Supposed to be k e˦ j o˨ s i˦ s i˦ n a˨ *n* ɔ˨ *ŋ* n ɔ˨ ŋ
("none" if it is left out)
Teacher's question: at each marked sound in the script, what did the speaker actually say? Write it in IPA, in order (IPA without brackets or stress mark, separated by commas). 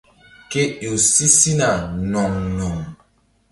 n, ŋ